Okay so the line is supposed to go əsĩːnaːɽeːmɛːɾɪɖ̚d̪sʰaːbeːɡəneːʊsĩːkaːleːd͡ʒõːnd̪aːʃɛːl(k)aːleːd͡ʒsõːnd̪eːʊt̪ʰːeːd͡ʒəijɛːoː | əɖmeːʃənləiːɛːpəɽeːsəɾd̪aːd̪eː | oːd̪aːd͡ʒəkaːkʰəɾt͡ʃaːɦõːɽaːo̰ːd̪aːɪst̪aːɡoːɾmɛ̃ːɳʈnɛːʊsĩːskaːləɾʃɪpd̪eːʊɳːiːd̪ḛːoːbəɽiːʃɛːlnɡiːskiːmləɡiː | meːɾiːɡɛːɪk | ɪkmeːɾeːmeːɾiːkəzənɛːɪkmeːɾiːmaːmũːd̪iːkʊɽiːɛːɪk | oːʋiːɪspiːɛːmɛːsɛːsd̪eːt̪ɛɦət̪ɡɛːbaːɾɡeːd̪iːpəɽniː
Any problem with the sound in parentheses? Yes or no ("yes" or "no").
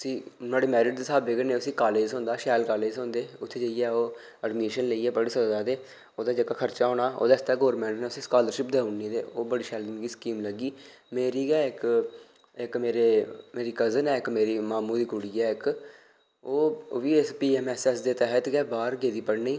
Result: no